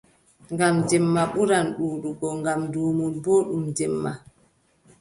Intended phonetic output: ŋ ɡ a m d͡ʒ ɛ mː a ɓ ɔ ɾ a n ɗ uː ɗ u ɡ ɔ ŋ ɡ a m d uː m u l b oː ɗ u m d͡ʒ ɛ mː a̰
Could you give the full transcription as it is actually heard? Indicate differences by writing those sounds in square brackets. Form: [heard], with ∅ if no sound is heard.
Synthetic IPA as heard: ŋ ɡ a m d͡ʒ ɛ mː a ɓ [u] ɾ a n ɗ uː ɗ u ɡ ɔ ŋ ɡ a m d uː m u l b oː ɗ u m d͡ʒ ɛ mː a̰